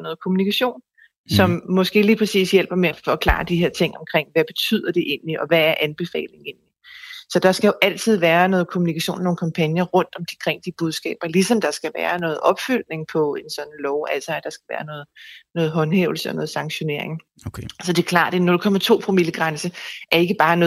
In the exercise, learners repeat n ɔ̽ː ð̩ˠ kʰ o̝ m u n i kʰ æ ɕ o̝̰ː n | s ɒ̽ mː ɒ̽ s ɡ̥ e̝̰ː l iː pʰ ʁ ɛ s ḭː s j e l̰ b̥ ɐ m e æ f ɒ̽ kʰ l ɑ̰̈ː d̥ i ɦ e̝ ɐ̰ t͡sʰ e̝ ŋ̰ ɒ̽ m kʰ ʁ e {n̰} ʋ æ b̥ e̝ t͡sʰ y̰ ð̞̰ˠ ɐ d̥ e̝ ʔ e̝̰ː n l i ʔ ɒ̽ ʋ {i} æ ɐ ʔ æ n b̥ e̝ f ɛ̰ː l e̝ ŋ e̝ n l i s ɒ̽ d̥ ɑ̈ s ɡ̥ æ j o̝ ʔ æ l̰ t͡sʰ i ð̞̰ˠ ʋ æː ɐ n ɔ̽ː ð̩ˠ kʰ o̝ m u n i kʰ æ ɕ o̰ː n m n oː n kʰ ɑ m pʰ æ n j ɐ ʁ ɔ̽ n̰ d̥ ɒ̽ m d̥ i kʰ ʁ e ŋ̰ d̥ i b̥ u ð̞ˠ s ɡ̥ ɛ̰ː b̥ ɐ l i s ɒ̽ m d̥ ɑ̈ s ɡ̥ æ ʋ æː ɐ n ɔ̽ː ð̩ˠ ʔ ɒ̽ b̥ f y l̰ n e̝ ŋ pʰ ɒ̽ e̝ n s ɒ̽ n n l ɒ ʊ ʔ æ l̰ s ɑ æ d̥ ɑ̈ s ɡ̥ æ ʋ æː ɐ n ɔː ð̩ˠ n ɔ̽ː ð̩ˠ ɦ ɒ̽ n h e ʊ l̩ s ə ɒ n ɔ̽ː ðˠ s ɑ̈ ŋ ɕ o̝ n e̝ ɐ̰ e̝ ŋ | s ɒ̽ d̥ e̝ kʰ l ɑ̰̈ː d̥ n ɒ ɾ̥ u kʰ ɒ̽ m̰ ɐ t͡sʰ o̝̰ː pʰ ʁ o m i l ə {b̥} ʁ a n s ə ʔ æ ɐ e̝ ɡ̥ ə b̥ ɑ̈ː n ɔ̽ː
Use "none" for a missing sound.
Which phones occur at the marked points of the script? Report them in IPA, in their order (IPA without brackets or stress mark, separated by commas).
ŋ̰, æ, ɡ̥